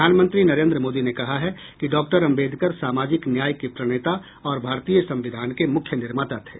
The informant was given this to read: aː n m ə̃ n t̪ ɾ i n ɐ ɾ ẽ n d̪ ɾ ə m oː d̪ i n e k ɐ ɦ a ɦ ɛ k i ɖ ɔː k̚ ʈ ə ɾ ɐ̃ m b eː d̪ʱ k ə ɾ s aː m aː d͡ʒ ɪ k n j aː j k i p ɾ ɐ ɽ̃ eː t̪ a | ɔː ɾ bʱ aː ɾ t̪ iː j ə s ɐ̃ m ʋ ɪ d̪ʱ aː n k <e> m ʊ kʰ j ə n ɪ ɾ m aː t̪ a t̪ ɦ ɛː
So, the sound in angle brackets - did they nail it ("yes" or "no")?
yes